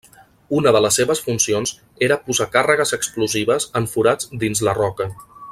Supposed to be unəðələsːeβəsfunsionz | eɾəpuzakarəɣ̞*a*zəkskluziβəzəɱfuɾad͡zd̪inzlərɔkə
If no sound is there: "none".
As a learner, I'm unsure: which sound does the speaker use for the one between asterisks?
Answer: ə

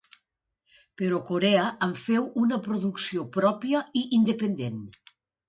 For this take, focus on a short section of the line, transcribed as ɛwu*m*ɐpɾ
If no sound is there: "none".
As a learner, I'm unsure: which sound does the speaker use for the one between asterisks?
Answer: n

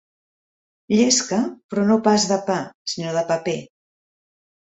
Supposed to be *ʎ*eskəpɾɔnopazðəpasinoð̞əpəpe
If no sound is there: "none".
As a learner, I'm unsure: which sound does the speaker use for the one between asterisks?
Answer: ʎ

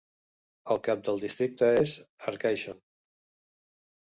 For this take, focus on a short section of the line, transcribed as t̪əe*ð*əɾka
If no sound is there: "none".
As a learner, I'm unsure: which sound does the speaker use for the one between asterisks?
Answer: z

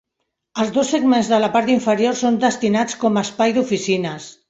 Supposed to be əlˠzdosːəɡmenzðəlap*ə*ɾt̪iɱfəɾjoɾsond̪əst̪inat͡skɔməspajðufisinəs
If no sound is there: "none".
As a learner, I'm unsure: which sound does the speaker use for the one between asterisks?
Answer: a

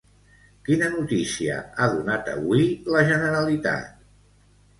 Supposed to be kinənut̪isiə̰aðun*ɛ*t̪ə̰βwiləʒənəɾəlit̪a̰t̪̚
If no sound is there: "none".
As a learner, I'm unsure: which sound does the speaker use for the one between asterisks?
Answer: a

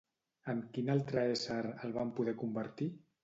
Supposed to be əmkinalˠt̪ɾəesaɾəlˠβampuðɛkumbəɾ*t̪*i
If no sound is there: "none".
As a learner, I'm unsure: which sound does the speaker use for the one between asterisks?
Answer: t̪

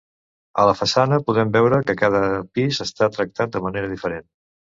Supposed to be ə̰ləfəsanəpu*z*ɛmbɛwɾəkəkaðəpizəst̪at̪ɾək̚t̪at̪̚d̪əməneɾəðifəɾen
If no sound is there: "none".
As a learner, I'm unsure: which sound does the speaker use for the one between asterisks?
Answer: ð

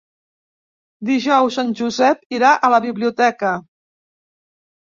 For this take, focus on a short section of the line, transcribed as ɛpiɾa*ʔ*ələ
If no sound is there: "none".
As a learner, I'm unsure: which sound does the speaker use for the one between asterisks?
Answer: ʔ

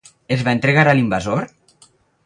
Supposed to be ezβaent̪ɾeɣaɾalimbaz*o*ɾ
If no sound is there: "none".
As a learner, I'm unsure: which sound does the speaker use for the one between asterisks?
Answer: o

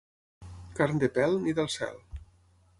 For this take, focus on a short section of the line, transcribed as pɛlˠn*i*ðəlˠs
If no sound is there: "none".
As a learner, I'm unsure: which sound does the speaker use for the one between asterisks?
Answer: i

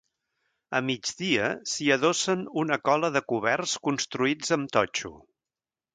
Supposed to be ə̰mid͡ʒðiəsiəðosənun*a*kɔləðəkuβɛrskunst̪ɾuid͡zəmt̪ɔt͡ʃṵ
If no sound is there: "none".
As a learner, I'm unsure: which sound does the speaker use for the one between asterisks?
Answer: ə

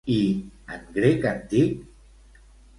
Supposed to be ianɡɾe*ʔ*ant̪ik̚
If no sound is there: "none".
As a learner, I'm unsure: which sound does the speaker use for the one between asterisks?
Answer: k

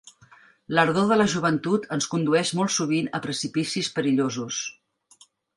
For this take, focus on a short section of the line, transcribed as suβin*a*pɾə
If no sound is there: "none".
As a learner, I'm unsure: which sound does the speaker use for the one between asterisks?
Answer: ə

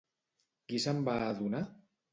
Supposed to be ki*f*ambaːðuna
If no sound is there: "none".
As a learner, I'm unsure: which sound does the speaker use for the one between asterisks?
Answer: s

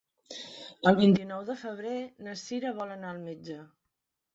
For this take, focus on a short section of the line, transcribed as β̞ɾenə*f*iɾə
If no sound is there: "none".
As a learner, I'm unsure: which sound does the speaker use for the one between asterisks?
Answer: s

